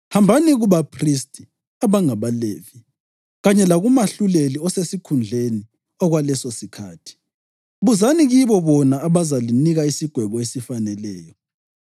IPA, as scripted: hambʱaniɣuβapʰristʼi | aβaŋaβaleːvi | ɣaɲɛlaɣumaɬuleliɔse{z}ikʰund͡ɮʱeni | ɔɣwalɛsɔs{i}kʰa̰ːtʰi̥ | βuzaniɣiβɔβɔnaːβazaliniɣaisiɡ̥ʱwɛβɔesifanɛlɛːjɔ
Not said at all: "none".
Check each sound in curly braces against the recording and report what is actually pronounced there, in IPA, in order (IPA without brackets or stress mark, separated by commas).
s, i